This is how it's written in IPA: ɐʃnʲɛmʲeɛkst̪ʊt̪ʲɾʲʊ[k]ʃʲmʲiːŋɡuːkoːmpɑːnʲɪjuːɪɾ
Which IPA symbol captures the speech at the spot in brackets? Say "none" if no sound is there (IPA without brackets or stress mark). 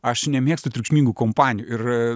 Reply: k